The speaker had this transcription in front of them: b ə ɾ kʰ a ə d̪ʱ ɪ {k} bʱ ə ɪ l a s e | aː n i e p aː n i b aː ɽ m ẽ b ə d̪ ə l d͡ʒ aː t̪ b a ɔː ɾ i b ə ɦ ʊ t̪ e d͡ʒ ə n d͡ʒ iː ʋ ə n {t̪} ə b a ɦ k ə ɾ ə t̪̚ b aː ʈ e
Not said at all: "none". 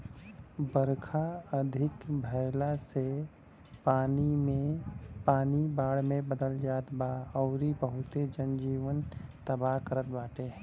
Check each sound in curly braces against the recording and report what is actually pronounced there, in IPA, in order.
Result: k, t̪

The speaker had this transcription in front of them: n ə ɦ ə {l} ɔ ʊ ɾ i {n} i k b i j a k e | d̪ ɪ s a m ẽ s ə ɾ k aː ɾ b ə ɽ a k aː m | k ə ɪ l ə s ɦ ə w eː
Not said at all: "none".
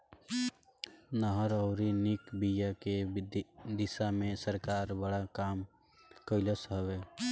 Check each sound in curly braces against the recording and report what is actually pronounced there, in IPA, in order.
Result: ɾ, n

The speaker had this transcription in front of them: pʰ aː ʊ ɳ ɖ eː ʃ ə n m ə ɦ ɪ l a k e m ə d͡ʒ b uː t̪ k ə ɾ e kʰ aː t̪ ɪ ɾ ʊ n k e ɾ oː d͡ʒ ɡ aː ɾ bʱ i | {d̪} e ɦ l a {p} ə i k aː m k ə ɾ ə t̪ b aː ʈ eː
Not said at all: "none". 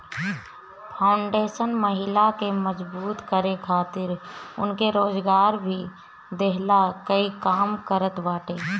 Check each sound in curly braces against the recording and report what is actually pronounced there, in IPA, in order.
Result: d̪, k

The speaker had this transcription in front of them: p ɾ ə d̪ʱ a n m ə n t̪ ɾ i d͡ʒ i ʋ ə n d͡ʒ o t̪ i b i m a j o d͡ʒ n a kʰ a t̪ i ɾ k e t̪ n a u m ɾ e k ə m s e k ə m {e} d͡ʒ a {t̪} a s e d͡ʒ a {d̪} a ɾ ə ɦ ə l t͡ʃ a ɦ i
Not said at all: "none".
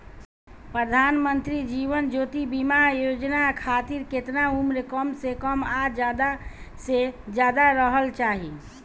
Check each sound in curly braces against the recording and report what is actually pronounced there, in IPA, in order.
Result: a, d̪, d̪

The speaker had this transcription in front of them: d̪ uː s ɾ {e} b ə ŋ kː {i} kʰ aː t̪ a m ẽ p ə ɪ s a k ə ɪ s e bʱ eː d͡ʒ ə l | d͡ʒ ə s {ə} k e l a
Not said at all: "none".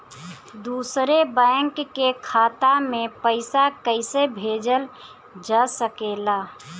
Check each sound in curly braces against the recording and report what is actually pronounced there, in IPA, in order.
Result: e, e, ə

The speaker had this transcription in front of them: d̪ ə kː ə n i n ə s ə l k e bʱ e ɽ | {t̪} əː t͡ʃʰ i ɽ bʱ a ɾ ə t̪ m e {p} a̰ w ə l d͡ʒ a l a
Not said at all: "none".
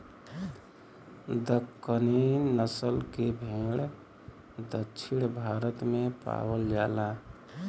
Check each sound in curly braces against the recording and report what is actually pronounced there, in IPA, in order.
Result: d̪, p

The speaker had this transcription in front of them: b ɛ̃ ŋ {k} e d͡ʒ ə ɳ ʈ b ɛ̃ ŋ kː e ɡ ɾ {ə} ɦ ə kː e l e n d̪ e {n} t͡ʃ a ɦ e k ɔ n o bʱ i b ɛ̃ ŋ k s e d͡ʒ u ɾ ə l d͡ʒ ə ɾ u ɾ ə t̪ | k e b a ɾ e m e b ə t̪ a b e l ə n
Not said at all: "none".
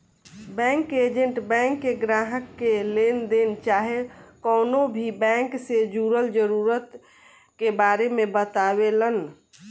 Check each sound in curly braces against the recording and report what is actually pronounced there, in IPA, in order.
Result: k, a, n

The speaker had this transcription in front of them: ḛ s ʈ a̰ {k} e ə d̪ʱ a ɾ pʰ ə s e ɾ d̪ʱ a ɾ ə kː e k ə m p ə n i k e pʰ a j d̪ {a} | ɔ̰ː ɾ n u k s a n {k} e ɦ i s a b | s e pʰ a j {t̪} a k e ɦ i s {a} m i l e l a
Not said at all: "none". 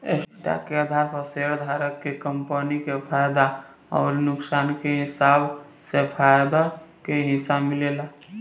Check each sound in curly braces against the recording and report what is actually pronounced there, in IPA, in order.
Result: k, a, k, d̪, a

